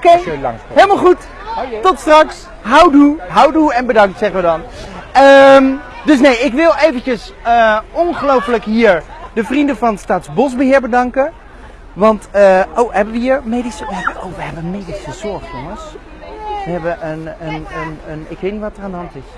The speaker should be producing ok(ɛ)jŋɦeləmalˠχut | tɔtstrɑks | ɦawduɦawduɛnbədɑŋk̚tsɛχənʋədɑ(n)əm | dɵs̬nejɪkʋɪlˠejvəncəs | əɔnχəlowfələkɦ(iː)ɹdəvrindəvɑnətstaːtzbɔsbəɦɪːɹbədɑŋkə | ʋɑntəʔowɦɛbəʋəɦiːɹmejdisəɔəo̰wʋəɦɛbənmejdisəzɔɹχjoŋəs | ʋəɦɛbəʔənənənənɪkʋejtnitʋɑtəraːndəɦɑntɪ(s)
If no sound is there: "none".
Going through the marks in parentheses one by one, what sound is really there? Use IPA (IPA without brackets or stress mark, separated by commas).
e, n, iː, s